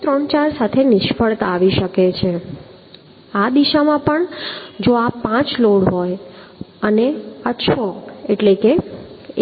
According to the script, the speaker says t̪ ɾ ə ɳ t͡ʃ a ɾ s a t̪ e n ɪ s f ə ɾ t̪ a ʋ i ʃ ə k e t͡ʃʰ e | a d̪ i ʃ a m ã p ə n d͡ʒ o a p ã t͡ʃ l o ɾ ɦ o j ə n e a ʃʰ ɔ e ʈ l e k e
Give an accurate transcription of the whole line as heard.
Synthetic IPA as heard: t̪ ɾ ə ɳ t͡ʃ a ɾ s a t̪ʰ e n ɪ ʃ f ə ɭ t̪ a ʋ i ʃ ə k e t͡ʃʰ e | a d̪ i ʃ a m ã p ə ɳ d͡ʒ o a p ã t͡ʃ l o ɽ ɦ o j ə n e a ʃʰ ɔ e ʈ l e k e